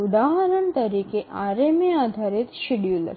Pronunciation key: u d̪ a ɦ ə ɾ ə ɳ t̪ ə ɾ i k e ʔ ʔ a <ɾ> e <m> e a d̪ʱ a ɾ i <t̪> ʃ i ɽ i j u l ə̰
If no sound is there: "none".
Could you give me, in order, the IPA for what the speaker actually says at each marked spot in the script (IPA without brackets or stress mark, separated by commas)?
ɾ, m, t̪